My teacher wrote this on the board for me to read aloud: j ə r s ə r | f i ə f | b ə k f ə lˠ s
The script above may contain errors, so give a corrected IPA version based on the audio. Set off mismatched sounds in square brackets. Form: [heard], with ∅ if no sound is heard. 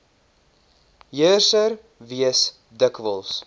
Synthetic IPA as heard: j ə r s ə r | [v] i ə [s] | [d] ə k [v] ə lˠ s